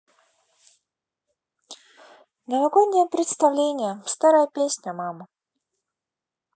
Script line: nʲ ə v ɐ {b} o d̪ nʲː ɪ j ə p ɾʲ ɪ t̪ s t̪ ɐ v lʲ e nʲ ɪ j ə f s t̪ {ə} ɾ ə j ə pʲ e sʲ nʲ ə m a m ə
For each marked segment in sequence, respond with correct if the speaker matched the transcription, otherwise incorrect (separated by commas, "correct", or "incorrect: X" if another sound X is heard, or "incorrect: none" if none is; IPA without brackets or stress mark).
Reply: incorrect: ɡ, incorrect: a